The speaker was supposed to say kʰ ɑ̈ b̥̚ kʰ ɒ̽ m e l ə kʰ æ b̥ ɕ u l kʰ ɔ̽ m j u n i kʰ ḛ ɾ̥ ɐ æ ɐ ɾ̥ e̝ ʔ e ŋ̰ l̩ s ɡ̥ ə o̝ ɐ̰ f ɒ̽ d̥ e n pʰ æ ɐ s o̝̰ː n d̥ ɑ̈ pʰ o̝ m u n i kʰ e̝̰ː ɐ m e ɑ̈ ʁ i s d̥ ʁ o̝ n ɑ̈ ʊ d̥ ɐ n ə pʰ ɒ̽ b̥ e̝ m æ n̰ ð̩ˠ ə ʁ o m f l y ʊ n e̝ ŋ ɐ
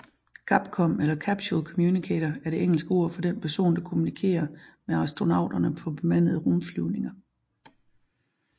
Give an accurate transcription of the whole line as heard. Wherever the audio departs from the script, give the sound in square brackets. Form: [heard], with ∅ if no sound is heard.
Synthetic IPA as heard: kʰ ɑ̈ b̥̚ kʰ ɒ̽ m e l [ɐ] kʰ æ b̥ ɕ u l kʰ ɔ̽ m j u n i kʰ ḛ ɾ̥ ɐ æ ɐ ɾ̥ e̝ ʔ e ŋ̰ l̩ s ɡ̥ ə o̝ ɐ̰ f ɒ̽ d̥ e n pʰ æ ɐ s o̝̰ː n d̥ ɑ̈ [kʰ] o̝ m u n i kʰ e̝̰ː ɐ m e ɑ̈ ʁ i s d̥ ʁ o̝ n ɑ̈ ʊ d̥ ɐ n ə pʰ ɒ̽ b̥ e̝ m æ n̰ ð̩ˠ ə ʁ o m f l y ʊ n e̝ ŋ ɐ